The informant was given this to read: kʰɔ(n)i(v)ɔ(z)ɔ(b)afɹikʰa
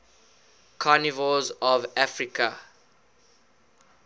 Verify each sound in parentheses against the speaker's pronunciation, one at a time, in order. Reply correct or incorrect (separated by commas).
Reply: correct, correct, correct, incorrect